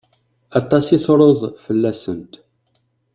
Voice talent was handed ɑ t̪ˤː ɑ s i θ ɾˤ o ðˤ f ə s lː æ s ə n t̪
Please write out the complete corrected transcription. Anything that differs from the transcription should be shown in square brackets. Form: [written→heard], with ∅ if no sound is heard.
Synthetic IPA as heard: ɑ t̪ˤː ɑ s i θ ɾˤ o ðˤ f ə [s→∅] lː æ s ə n t̪